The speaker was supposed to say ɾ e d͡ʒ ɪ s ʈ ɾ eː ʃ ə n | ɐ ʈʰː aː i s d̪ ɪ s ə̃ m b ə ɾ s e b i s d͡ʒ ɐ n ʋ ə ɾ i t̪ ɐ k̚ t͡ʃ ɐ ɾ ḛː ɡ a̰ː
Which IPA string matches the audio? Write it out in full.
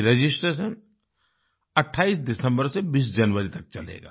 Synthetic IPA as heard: ɾ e d͡ʒ ɪ s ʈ ɾ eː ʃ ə n | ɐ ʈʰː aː i s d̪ ɪ s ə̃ m b ə ɾ s e b iː s d͡ʒ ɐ n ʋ ə ɾ i t̪ ɐ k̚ t͡ʃ ɐ l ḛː ɡ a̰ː